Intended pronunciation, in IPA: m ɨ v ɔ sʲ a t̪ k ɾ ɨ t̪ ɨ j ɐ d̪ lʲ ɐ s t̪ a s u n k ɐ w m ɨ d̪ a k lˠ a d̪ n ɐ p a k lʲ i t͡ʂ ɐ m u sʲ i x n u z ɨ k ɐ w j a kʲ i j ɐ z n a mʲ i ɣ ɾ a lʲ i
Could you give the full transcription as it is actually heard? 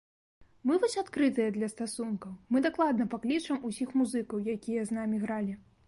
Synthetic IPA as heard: m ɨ v ɔ sʲ a t̪ k ɾ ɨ t̪ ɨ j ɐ d̪ lʲ ɐ s t̪ a s u n k ɐ w m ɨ d̪ a k lˠ a d̪ n ɐ p a k lʲ i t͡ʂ ɐ m u sʲ i x m u z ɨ k ɐ w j a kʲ i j ɐ z n a mʲ i ɣ ɾ a lʲ i